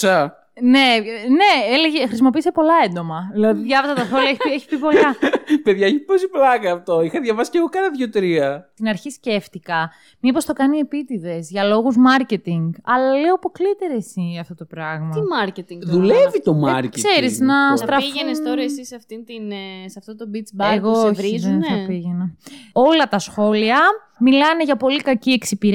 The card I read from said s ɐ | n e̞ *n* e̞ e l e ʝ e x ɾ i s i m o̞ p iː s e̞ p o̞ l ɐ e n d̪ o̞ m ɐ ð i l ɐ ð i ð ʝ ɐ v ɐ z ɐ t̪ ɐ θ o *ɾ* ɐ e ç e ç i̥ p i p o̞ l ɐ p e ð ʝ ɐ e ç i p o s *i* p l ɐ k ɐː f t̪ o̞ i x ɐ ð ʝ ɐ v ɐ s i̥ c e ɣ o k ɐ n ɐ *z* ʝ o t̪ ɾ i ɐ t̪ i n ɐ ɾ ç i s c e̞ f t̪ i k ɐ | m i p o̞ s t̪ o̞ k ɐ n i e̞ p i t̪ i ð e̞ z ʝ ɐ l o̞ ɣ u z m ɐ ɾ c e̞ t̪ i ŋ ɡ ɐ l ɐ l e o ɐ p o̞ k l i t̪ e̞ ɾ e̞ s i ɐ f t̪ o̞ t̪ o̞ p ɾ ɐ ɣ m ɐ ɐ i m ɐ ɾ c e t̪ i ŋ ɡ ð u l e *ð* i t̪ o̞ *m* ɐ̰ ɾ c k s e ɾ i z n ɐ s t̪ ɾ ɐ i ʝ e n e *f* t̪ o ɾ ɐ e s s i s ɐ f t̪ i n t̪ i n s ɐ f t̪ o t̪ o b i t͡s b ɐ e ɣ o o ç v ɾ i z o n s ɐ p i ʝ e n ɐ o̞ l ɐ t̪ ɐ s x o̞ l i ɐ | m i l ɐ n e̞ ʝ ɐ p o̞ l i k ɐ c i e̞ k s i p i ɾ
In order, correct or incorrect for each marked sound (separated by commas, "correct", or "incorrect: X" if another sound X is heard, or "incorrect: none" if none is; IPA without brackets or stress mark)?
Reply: correct, incorrect: l, correct, incorrect: ð, incorrect: v, correct, incorrect: s